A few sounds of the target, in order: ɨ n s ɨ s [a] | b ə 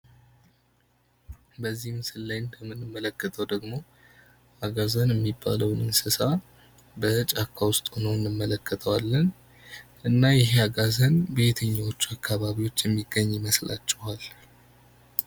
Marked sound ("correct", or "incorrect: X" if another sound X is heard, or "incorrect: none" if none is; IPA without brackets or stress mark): correct